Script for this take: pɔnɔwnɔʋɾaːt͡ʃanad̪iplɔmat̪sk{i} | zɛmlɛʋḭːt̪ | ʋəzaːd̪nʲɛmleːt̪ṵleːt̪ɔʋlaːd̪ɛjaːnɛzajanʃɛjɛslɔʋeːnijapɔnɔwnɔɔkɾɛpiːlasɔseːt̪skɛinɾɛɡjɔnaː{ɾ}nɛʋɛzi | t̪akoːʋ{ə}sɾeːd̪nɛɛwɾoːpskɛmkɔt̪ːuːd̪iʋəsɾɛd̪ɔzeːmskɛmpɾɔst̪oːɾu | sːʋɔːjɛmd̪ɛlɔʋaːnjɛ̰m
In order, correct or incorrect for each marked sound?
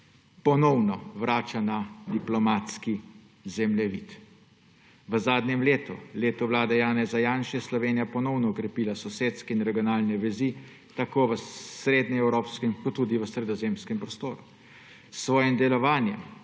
correct, incorrect, correct

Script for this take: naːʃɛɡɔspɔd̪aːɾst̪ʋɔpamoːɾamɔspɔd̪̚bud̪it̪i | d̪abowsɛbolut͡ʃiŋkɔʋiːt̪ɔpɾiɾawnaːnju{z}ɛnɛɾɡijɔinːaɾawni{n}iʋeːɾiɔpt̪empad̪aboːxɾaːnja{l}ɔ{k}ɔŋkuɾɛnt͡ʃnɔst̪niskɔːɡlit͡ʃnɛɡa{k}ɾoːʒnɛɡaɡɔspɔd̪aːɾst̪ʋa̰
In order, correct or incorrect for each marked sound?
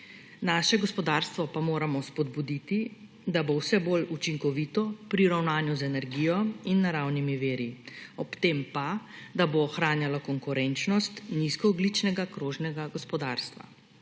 correct, incorrect, correct, correct, correct

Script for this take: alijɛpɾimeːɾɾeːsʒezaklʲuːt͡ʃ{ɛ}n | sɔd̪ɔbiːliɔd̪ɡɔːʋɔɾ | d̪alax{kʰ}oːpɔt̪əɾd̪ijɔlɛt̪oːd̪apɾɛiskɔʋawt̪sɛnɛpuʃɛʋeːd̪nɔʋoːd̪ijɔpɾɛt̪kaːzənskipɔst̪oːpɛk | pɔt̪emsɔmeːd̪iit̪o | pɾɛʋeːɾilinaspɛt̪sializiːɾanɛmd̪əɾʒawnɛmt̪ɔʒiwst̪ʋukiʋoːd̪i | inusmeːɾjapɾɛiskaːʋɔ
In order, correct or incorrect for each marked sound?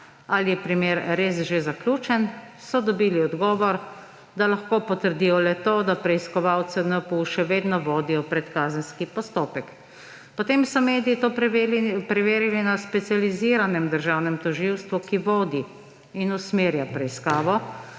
correct, incorrect

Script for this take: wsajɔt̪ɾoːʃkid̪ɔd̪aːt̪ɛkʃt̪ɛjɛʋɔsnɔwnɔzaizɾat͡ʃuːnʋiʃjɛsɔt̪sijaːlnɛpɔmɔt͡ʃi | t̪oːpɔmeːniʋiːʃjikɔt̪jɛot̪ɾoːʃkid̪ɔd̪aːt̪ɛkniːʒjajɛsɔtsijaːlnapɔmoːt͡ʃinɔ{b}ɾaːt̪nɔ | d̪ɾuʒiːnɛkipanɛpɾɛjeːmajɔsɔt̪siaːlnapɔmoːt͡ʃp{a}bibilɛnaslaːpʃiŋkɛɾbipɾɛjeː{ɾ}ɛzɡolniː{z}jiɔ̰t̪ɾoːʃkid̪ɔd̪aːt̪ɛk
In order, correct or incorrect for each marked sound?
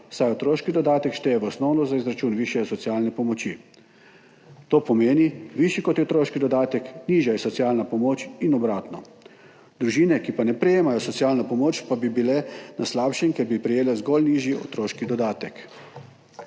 correct, correct, incorrect, incorrect

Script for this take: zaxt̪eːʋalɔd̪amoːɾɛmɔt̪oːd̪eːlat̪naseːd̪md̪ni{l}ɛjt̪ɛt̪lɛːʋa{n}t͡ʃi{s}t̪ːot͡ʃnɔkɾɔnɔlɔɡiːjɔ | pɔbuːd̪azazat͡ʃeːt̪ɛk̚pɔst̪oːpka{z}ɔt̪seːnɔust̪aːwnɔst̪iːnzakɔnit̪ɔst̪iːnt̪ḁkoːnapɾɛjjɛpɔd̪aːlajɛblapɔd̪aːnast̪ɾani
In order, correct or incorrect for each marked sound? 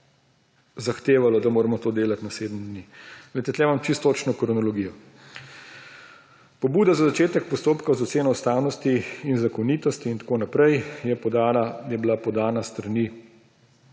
correct, incorrect, correct, correct

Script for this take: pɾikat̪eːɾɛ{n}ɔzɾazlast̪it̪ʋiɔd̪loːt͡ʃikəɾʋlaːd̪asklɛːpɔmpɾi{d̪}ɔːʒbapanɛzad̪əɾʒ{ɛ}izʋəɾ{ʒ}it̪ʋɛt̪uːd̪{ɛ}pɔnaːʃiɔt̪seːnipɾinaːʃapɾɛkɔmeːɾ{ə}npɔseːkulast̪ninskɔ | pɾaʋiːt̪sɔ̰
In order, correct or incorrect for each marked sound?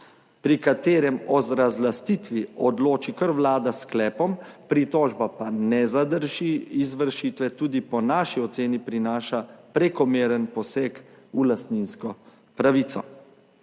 incorrect, incorrect, incorrect, incorrect, incorrect, correct

